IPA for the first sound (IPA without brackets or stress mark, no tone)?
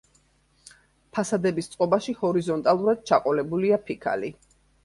pʰ